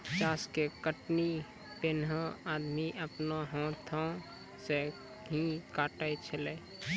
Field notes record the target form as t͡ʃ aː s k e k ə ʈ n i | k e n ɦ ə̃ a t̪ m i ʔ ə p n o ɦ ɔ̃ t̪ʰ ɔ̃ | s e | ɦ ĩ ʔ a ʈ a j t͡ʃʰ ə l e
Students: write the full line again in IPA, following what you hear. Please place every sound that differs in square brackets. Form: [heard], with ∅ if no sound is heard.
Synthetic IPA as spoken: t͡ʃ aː s k e k ə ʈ n i | [p] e n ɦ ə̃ a [d̪] m i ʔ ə p n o ɦ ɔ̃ t̪ʰ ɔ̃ | s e | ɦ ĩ [k] a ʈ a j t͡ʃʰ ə l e